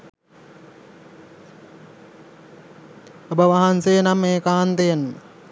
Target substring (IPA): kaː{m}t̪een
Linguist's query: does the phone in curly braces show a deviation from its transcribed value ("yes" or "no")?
yes